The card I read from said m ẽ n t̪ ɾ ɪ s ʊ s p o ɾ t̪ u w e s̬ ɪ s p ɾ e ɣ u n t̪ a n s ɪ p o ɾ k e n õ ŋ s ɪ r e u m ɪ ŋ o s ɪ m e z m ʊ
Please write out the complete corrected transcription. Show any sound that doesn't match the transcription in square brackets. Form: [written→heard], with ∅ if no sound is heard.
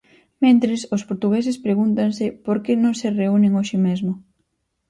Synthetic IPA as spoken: m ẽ n t̪ ɾ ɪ s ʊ s p o ɾ t̪ u [w→ɣ] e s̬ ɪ s p ɾ e ɣ u n t̪ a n s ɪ p o ɾ k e n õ ŋ s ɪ r e u [m→n] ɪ ŋ o [s→ʃ] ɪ m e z m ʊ